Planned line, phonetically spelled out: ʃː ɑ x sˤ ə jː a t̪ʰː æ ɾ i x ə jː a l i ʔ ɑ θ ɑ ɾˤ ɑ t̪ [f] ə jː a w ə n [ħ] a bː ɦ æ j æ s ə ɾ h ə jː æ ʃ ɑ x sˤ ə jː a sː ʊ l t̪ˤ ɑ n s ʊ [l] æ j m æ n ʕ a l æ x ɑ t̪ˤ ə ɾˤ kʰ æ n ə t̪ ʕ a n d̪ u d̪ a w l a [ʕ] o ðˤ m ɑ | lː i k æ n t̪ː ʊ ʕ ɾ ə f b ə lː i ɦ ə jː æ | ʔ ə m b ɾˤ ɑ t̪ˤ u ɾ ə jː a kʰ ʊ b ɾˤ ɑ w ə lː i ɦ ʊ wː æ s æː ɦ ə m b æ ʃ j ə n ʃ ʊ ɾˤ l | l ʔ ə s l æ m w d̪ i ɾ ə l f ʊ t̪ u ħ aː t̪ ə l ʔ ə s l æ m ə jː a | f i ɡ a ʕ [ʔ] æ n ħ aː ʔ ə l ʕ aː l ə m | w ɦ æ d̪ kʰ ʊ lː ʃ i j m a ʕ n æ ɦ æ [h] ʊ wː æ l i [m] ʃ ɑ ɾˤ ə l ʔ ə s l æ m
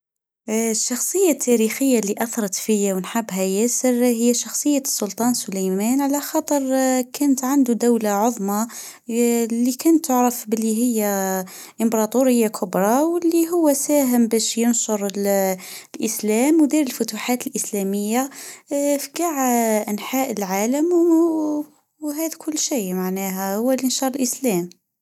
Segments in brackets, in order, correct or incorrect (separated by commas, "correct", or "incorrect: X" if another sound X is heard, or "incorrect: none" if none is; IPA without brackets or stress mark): correct, correct, correct, correct, correct, correct, incorrect: n